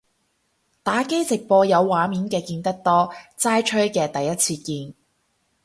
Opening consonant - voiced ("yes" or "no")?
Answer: no